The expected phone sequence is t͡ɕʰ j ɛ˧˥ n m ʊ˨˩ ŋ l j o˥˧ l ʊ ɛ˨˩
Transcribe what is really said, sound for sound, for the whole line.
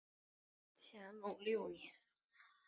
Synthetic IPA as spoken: t͡ɕʰ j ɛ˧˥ n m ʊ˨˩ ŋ l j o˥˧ ʊ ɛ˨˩